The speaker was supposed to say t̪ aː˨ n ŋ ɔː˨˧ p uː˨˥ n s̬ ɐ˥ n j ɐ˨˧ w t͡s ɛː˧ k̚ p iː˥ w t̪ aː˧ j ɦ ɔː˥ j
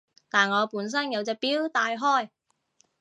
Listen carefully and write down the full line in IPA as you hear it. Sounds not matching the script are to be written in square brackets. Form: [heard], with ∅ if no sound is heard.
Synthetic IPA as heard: t̪ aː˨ n ŋ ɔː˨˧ p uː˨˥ n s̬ ɐ˥ n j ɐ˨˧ w t͡s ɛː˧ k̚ p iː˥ w t̪ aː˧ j ɦ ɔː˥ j